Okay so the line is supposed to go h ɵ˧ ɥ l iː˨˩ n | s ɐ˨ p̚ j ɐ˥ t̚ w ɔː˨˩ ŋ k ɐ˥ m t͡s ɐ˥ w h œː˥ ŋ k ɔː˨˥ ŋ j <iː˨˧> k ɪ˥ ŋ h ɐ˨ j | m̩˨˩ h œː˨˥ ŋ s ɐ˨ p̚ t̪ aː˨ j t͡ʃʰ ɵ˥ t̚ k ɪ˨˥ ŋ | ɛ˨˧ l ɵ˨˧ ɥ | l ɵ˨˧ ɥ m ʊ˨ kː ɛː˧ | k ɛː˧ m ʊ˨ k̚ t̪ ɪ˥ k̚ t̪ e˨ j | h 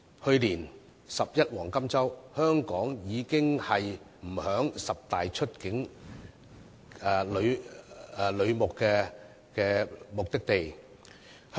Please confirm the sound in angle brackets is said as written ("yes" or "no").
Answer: yes